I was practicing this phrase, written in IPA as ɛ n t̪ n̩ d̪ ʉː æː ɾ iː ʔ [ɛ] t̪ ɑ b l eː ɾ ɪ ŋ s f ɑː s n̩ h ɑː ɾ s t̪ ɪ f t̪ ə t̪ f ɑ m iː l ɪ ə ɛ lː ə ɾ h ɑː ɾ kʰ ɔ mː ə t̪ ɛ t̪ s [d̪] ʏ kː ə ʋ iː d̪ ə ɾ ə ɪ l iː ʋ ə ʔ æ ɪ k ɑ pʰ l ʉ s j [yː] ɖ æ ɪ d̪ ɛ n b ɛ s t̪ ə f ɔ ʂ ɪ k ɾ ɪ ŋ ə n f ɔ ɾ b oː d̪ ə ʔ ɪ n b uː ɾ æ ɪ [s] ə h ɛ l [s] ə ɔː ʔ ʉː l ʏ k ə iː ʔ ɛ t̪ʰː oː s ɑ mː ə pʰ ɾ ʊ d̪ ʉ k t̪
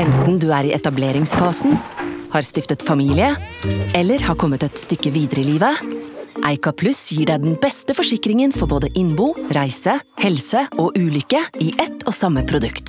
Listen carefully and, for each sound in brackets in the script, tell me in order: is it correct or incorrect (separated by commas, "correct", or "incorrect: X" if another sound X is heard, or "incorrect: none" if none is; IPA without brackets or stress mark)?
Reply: correct, incorrect: t̪, incorrect: iː, correct, correct